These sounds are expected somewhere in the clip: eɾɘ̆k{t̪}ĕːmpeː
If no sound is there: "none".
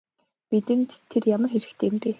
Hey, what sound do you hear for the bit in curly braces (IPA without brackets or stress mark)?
t̪ʰ